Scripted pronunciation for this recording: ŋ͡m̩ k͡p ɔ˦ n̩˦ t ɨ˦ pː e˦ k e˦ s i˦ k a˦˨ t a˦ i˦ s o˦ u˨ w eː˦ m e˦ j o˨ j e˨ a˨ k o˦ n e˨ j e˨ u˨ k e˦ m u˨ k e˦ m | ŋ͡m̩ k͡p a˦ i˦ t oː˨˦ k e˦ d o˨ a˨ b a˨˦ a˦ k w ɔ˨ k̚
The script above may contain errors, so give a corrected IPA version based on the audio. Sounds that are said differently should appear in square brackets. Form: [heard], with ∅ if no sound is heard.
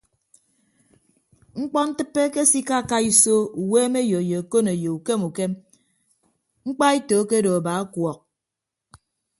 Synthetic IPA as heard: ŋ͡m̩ k͡p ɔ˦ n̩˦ t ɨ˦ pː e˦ k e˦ s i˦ k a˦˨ [k] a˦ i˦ s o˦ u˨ w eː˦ m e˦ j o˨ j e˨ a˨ k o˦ n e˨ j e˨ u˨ k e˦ m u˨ k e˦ m | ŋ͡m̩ k͡p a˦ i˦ t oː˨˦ k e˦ d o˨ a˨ b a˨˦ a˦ k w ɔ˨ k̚

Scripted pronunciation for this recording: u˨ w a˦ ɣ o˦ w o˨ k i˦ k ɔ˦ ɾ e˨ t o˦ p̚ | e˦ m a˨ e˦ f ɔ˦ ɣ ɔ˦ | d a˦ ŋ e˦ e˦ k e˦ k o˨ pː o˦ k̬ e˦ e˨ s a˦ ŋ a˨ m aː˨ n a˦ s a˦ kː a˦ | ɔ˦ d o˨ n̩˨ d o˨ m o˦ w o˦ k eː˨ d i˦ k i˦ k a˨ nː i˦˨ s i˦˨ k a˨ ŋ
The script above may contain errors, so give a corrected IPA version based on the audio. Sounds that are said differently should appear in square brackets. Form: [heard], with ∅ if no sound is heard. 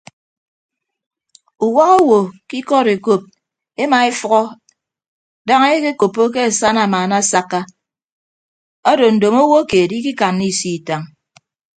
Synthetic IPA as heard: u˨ w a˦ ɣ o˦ w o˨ k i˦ k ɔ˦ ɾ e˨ [k] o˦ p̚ | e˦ m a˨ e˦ f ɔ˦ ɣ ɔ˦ | d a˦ ŋ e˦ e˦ k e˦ k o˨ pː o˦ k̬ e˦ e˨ s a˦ [n] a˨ m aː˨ n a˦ s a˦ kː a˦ | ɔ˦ d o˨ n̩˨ d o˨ m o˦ w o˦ k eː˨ d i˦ k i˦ k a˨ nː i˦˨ s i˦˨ [t] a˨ ŋ

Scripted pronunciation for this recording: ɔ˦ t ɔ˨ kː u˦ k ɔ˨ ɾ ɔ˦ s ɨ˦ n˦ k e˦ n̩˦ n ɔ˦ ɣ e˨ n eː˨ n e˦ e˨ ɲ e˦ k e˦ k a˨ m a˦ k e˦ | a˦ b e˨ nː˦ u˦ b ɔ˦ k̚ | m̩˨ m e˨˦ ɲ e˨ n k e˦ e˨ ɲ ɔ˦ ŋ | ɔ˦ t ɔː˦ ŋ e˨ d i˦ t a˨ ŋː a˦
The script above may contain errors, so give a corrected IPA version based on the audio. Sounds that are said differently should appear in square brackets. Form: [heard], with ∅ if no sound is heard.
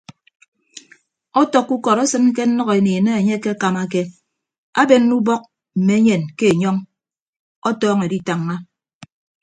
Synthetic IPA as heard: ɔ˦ t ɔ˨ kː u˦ k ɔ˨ ɾ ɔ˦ s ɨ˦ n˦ k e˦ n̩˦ n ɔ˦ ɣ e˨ n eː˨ n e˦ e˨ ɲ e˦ k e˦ k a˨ m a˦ k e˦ | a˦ b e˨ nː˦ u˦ b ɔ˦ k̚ | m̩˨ m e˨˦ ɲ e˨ n k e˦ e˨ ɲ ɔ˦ ŋ | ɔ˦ t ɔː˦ ŋ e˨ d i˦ t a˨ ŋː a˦

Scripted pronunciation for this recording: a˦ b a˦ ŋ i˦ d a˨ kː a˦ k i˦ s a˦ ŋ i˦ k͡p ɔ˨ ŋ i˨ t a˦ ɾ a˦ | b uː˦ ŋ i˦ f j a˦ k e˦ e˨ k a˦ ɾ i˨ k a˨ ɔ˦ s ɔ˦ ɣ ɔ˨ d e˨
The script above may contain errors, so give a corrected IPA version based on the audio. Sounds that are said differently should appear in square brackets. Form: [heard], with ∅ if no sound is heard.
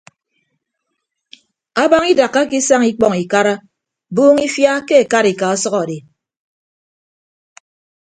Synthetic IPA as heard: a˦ b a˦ ŋ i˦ d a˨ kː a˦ k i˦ s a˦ ŋ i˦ k͡p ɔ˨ ŋ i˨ [k] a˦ ɾ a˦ | b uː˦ ŋ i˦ f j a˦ k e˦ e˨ k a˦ ɾ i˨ k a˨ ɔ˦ s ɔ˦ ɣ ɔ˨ d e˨

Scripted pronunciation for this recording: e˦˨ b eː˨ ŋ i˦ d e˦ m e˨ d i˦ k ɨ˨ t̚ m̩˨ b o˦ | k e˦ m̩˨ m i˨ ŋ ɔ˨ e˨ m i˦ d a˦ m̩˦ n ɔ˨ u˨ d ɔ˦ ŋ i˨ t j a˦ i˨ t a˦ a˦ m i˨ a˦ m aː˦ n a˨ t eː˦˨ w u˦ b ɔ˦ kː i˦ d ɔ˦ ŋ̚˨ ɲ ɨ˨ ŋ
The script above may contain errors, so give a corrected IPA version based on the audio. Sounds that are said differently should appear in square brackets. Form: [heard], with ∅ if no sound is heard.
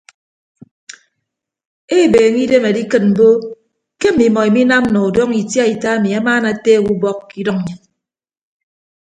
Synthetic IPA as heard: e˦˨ b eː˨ ŋ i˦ d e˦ m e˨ d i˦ k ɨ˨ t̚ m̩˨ b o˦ | k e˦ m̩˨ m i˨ [m] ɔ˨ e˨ m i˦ [n] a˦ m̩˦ n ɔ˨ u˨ d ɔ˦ ŋ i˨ t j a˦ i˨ t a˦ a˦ m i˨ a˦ m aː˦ n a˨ t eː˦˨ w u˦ b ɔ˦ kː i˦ d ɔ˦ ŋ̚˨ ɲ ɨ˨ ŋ

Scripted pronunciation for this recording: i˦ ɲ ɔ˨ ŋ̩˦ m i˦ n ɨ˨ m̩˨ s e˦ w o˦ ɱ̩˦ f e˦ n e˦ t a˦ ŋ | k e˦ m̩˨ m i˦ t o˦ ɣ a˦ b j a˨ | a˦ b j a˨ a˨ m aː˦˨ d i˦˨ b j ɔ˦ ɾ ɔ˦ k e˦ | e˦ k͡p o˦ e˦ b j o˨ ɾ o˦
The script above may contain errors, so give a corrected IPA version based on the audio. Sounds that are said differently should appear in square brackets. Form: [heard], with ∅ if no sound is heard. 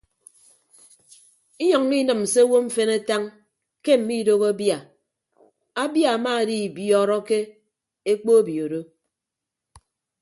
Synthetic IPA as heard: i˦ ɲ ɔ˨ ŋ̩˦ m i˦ n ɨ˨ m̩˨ s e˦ w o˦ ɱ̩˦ f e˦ n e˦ t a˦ ŋ | k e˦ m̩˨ m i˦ [d] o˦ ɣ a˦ b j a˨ | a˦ b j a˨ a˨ m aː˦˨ d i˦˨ b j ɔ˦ ɾ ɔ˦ k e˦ | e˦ k͡p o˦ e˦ b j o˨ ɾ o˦

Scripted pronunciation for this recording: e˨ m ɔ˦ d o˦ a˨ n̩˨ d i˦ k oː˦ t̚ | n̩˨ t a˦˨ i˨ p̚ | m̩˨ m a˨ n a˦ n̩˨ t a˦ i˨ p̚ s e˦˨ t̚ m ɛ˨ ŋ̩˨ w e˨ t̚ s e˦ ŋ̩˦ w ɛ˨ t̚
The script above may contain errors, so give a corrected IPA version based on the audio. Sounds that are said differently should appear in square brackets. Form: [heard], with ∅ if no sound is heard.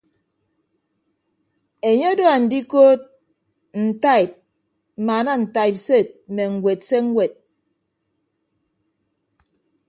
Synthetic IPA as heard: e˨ [ɲ] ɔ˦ d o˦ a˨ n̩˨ d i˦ k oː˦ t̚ | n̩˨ t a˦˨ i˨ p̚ | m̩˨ m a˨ n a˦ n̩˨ t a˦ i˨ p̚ s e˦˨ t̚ m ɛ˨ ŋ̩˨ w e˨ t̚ s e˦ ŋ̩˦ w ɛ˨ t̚

